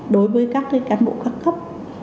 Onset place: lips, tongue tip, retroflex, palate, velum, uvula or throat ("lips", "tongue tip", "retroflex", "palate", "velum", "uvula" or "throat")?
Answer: tongue tip